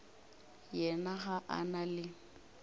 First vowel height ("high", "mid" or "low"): mid